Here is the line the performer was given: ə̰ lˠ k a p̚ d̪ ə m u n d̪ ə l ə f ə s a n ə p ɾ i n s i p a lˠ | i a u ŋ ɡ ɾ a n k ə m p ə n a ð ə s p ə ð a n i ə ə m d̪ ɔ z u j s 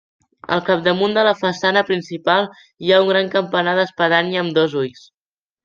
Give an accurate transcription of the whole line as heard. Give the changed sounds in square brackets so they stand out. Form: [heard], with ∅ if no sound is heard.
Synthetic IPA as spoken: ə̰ lˠ k a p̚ d̪ ə m u n d̪ ə l ə f ə s a n ə p ɾ i n s i p a lˠ | i a u ŋ ɡ ɾ a [ŋ] k ə m p ə n a ð ə s p ə ð a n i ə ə m d̪ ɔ z u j s